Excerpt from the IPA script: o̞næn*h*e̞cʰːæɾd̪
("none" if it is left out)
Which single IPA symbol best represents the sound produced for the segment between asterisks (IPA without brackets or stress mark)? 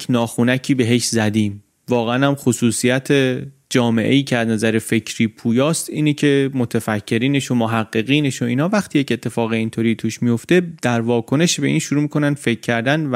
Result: f